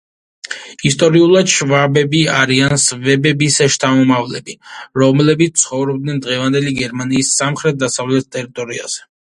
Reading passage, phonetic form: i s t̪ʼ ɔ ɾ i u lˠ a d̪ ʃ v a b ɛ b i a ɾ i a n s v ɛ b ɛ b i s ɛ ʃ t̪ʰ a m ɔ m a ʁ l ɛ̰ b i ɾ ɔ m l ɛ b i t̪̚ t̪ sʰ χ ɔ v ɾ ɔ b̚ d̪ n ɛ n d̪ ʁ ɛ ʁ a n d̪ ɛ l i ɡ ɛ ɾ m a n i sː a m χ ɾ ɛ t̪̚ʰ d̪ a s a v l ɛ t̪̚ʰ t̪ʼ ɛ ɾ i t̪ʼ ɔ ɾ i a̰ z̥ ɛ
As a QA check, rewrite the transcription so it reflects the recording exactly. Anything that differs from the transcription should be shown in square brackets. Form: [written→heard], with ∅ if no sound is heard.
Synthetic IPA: i s t̪ʼ ɔ ɾ i u lˠ a d̪ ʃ v a b ɛ b i a ɾ i a n s v ɛ b ɛ b i s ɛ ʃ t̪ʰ a m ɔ m a [ʁ→v] l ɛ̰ b i ɾ ɔ m l ɛ b i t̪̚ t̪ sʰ χ ɔ v ɾ ɔ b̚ d̪ n ɛ n d̪ ʁ ɛ [ʁ→v] a n d̪ ɛ l i ɡ ɛ ɾ m a n [i→iː] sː a m χ ɾ ɛ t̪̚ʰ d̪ a s a v l ɛ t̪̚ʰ t̪ʼ ɛ ɾ i t̪ʼ ɔ ɾ i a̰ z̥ ɛ